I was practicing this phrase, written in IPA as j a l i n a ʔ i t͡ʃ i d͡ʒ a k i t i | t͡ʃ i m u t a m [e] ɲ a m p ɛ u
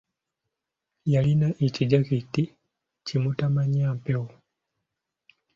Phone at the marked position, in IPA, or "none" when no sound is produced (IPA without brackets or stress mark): a